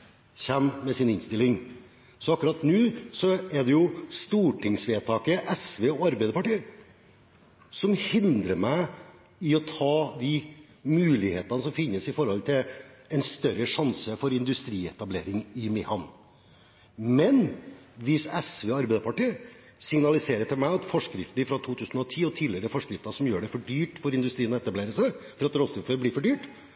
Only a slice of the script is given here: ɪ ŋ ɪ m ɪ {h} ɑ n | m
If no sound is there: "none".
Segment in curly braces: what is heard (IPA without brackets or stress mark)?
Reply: h